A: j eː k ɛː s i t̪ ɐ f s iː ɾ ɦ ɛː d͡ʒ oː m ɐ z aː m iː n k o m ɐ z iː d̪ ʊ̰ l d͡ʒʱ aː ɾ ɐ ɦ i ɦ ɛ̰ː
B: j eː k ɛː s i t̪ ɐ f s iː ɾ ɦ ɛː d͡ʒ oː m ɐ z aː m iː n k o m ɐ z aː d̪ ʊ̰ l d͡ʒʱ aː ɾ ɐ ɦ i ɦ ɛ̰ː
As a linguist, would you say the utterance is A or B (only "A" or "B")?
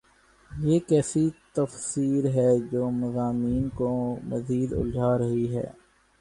A